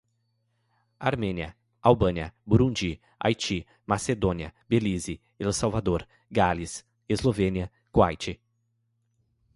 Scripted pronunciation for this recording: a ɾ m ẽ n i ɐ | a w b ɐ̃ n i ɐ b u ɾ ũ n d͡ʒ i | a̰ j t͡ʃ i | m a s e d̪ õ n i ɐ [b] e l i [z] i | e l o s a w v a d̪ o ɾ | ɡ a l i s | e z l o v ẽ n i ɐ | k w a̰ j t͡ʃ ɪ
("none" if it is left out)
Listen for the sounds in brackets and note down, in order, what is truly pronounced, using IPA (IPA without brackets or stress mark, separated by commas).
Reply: b, z